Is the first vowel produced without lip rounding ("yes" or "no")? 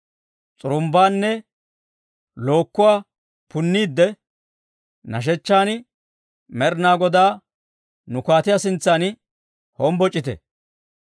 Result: no